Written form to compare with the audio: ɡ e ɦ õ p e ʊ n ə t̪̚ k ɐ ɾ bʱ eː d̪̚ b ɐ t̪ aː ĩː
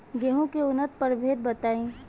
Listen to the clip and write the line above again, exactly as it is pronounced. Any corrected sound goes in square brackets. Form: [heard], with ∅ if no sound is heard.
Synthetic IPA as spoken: ɡ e ɦ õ [k] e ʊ n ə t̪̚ [p] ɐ ɾ bʱ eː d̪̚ b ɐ t̪ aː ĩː

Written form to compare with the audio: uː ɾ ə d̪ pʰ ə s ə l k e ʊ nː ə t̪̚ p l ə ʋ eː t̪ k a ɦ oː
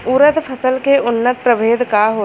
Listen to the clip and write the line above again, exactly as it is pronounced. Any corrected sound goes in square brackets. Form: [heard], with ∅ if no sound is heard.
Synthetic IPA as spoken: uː ɾ ə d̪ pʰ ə s ə l k e ʊ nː ə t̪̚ p [ɾ] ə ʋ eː [d̪] k a ɦ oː

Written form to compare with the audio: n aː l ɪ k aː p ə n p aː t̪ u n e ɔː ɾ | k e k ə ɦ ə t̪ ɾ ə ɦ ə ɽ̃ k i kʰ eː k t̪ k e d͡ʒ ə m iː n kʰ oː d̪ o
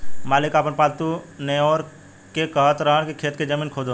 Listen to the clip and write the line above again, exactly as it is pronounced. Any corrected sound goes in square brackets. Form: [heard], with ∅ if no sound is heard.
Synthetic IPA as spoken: [m] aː l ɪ k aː p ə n p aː t̪ u n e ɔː ɾ | k e k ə ɦ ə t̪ ɾ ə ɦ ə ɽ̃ k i kʰ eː [∅] t̪ k e d͡ʒ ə m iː n kʰ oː d̪ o

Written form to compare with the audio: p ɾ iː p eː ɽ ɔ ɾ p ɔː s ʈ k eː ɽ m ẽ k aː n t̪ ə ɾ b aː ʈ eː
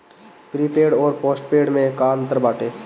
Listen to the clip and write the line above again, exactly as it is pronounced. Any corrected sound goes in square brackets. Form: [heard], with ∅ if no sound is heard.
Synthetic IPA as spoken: p ɾ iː p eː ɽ [ɔː] ɾ p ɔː s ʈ [p] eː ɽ m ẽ k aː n t̪ ə ɾ b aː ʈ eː

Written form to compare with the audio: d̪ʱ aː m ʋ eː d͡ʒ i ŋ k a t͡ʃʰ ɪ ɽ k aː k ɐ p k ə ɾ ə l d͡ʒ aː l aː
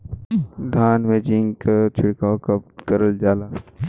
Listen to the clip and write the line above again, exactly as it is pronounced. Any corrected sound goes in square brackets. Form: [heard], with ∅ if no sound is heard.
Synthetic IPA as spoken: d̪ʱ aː [n] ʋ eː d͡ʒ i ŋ k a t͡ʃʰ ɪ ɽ k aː k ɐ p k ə ɾ ə l d͡ʒ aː l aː

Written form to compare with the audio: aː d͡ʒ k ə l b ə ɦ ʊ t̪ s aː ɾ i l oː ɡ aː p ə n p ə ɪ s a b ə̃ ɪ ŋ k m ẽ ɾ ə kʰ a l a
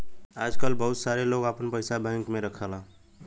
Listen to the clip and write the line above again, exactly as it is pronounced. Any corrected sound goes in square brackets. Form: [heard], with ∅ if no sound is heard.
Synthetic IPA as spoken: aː d͡ʒ k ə l b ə ɦ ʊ t̪ s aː ɾ [e] l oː ɡ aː p ə n p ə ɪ s a b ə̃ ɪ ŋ k m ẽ ɾ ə kʰ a l a

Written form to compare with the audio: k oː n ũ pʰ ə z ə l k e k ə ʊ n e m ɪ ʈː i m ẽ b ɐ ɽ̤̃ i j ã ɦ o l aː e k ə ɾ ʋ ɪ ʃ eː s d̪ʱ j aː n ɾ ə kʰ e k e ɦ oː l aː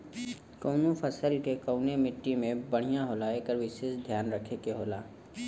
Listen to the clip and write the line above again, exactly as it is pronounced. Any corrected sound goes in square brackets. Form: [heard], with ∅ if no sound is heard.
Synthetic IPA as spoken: k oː n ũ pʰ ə [s] ə l k e k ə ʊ n e m ɪ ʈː i m ẽ b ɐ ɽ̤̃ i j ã ɦ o l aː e k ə ɾ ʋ ɪ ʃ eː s d̪ʱ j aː n ɾ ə kʰ e k e ɦ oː l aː

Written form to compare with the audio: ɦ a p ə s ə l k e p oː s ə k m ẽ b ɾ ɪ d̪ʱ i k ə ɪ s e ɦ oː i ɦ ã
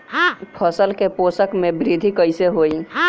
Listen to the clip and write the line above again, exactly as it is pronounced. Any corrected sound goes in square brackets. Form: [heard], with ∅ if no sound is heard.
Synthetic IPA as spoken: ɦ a [pʰ] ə s ə l k e p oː s ə k m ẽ b ɾ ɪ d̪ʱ i k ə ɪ s e ɦ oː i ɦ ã

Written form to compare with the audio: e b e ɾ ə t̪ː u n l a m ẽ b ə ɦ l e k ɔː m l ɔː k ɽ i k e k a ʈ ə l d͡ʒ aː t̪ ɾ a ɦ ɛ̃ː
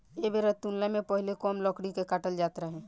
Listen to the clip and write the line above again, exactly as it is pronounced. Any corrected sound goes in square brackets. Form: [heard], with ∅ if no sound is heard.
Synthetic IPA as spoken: e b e ɾ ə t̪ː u n l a m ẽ [p] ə ɦ l e k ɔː m l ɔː k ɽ i k e k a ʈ ə l d͡ʒ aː t̪ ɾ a ɦ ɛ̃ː

